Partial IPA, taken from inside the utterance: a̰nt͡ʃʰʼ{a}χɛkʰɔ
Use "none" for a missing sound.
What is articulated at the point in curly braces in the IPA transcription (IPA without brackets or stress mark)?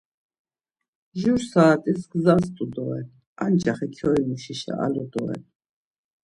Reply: a